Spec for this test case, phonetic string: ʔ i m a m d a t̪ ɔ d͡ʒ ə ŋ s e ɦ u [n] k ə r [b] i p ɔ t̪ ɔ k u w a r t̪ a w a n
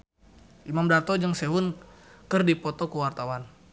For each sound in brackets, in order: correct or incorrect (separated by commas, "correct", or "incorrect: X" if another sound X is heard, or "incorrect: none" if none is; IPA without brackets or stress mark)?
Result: correct, incorrect: d